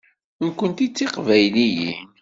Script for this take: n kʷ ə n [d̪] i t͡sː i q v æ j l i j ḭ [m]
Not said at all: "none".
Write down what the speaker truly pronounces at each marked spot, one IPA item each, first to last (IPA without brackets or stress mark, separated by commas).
t̪, n